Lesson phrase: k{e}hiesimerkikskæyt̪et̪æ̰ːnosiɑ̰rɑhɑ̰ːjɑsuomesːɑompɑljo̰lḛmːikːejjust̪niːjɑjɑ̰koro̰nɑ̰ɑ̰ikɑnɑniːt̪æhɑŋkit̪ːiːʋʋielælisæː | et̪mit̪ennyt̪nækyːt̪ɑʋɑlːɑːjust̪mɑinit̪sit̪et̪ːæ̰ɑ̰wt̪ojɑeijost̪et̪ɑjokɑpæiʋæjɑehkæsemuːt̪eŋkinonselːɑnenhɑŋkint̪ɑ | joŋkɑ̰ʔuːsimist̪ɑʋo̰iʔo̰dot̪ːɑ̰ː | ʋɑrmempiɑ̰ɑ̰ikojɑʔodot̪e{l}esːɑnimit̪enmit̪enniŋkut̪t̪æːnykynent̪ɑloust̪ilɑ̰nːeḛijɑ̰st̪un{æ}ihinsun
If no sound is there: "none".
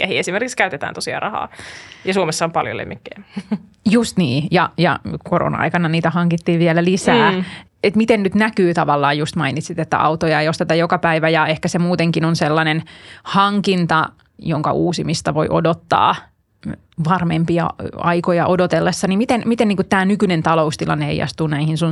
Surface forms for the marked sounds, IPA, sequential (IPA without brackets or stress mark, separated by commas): æ, lː, æ